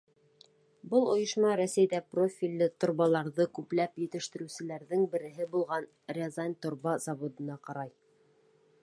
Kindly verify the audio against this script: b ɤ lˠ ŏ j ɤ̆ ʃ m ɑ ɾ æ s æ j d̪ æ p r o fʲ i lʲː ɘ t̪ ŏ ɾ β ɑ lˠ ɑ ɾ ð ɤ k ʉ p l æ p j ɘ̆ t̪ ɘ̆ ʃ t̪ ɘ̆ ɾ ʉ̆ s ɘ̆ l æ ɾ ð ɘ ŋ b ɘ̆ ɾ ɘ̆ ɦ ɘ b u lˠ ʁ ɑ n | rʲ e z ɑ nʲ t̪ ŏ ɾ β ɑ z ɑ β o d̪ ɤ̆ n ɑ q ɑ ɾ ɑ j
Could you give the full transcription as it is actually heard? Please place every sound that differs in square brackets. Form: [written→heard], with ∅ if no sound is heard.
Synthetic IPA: b ɤ lˠ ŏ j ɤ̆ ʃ m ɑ ɾ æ s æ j d̪ æ p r o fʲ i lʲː ɘ t̪ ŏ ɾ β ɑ lˠ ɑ ɾ ð ɤ k ʉ p l æ p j ɘ̆ t̪ ɘ̆ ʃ t̪ ɘ̆ ɾ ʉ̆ s ɘ̆ l æ ɾ ð ɘ ŋ b ɘ̆ ɾ ɘ̆ ɦ ɘ b u lˠ ʁ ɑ n | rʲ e z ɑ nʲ t̪ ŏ ɾ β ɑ z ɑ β o d̪ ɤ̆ n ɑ q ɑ ɾ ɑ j